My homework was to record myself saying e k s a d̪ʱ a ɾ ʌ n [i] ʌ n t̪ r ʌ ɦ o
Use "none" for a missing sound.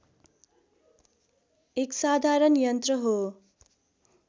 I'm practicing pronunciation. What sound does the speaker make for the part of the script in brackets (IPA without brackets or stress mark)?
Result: j